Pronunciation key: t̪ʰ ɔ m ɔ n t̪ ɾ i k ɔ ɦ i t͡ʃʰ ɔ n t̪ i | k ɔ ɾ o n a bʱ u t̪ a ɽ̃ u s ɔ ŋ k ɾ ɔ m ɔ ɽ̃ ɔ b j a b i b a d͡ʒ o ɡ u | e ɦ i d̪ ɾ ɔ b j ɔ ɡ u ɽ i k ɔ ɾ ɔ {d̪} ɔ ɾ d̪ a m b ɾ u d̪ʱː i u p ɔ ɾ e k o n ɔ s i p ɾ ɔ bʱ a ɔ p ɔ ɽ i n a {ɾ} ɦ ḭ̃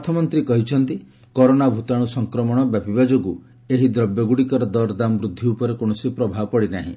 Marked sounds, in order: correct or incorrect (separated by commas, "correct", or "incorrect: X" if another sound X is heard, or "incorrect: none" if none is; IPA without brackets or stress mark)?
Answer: correct, incorrect: none